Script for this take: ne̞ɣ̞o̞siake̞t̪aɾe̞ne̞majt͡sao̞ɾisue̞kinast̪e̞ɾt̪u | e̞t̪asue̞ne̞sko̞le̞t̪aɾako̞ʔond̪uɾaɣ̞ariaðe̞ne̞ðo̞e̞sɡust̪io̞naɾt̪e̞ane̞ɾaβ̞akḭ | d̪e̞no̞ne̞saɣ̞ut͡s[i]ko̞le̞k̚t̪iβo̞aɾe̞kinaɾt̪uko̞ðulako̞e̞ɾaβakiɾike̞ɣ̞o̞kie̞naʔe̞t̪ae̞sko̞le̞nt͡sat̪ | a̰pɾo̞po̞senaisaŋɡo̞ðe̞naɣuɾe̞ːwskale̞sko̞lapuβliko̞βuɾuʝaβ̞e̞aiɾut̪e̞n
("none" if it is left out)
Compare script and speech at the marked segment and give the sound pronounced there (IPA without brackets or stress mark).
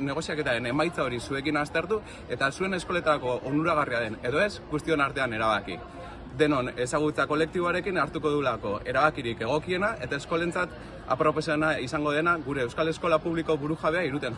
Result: a